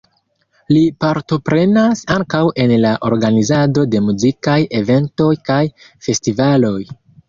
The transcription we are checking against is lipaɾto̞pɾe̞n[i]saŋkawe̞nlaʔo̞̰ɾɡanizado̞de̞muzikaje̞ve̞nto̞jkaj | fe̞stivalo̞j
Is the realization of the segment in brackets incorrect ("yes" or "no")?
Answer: yes